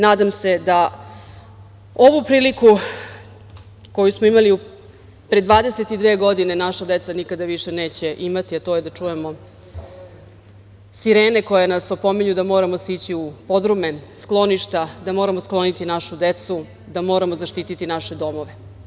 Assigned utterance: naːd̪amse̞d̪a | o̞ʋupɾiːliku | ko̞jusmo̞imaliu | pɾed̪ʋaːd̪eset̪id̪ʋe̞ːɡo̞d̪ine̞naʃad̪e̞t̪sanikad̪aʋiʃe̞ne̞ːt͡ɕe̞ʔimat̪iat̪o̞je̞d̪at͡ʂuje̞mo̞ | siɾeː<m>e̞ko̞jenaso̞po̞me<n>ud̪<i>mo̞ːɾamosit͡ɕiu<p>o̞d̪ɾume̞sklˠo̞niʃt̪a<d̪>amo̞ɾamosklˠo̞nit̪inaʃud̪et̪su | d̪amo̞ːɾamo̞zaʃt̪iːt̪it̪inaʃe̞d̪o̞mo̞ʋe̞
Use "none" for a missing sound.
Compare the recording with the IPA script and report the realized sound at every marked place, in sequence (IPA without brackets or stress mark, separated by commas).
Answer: n, ɲ, a, p, d̪